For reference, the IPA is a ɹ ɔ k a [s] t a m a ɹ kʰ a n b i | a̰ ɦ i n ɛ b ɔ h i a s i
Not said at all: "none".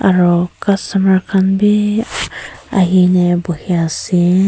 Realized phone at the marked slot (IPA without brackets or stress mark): s